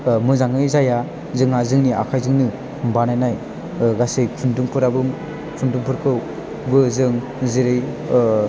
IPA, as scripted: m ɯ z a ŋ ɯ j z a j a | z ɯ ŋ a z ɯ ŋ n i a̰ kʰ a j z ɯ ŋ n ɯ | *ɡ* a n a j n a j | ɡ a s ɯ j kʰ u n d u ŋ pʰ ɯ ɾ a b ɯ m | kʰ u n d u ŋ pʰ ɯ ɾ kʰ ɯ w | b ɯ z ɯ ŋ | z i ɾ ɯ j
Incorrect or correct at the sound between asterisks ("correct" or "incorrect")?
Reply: incorrect